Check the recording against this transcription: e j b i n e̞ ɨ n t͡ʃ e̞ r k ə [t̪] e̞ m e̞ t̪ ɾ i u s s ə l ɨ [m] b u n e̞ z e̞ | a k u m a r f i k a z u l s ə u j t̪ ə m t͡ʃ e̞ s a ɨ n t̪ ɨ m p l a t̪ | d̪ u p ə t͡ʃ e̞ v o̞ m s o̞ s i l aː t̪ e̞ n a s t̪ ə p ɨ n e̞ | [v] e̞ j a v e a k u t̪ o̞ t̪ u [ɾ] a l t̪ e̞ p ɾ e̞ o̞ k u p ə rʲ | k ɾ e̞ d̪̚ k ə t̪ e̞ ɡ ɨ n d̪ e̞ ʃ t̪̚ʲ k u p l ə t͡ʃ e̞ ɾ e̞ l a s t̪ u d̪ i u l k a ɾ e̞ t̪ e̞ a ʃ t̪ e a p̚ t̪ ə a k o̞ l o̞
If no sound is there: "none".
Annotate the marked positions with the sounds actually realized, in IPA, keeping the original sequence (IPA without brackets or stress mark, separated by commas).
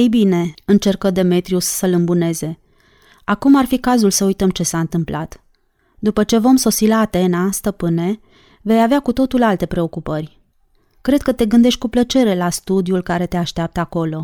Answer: d̪, m, v, l